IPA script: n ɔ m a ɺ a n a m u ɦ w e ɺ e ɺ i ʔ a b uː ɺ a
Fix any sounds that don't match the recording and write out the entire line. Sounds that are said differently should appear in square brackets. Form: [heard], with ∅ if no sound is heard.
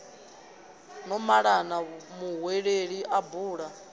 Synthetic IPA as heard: n ɔ m a ɺ a n a m u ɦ w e ɺ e ɺ i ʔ a b uː ɺ a